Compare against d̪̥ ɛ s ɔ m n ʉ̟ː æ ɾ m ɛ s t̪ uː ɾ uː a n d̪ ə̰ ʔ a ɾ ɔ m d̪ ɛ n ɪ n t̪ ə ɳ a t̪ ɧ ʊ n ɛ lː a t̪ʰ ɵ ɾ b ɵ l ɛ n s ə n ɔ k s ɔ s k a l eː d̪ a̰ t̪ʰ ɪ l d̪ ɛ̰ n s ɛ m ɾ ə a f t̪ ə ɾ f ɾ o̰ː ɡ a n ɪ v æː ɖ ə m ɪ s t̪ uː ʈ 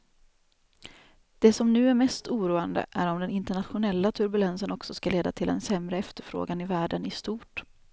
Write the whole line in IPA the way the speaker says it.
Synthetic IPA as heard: d̪̥ ɛ s ɔ m n ʉ̟ː æ ɾ m ɛ s t̪ uː ɾ uː a n d̪ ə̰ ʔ æ ɾ ɔ m d̪ ɛ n ɪ n t̪ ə ɳ a t̪ ɧ ʊ n ɛ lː a t̪ʰ ɵ ɾ b ɵ l ɛ n s ə n ɔ k s ɔ s k a l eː d̪ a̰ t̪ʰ ɪ l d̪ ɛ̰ n s ɛ m ɾ ə ɛ f t̪ ə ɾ f ɾ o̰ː ɡ a n ɪ v æː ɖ ə n ɪ s t̪ uː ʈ